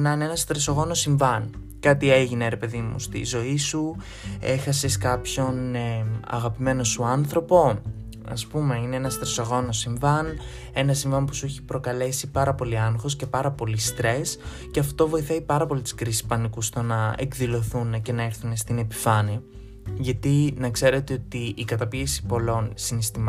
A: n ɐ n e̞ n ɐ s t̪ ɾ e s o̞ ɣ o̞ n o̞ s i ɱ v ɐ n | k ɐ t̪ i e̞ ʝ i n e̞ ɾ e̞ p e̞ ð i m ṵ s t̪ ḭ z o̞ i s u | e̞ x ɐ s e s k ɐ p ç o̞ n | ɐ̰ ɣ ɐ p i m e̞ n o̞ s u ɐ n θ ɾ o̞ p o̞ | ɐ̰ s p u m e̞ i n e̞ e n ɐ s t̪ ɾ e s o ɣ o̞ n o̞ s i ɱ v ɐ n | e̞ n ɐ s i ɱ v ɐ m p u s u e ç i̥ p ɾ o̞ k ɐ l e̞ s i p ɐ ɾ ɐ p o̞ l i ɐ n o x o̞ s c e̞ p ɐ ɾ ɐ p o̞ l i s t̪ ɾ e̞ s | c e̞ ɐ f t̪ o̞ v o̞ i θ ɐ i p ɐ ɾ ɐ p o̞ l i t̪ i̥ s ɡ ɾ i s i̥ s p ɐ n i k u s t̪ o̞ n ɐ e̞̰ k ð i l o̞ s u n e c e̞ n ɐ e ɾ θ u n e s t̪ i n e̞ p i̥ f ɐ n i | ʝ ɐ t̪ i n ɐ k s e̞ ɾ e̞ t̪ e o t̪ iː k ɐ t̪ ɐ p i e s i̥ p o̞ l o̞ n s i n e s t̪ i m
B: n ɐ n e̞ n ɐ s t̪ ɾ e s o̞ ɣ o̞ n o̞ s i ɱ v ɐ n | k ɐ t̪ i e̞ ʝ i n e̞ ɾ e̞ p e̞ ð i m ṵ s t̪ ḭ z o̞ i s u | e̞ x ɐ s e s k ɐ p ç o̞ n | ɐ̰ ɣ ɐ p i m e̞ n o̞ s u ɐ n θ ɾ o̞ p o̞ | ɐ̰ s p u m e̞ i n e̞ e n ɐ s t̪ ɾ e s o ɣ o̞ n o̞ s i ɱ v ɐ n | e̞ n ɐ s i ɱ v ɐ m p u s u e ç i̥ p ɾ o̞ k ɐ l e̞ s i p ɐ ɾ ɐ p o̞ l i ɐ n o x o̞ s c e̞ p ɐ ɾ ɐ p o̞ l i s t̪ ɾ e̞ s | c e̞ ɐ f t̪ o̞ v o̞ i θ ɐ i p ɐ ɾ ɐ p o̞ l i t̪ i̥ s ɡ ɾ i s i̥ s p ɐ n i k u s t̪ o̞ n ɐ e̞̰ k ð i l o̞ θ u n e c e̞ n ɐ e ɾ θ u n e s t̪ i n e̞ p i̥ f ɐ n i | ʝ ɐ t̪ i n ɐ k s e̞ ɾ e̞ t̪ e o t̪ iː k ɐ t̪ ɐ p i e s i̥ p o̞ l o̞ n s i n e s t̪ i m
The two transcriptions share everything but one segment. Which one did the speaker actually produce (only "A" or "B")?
B